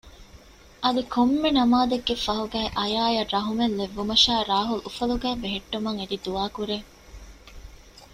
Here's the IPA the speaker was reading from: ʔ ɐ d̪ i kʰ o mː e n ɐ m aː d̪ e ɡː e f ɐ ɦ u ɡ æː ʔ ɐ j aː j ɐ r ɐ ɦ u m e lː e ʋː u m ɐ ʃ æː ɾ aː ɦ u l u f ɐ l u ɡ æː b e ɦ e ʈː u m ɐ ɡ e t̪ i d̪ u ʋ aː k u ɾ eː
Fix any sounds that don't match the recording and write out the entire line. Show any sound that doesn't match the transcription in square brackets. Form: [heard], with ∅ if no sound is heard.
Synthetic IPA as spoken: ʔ ɐ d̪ i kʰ o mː e n ɐ m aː d̪ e ɡː e f ɐ ɦ u ɡ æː ʔ ɐ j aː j ɐ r ɐ ɦ u m e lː e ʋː u m ɐ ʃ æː ɾ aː ɦ u l u f ɐ l u ɡ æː b e ɦ e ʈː u m ɐ [ŋ] e [d̪] i d̪ u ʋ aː k u ɾ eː